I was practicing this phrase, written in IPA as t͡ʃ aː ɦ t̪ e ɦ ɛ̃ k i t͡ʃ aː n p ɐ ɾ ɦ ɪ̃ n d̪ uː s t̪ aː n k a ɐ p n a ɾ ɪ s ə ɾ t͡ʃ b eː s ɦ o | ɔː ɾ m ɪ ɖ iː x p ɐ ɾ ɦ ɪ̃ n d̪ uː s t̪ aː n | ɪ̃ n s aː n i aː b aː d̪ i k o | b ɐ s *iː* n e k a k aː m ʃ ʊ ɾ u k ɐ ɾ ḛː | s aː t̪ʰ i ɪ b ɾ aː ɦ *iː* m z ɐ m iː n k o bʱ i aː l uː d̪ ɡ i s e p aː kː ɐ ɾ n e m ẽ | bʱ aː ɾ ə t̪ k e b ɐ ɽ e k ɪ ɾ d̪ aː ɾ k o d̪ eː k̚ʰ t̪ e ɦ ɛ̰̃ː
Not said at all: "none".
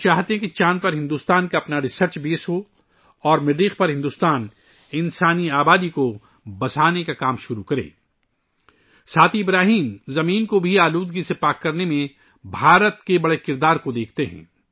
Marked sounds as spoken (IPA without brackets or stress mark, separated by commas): aː, iː